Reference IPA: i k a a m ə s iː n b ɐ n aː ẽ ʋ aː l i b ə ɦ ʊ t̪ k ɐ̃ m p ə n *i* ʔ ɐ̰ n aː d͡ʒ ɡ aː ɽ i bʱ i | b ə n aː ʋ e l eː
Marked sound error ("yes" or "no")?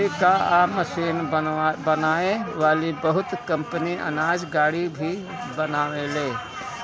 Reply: no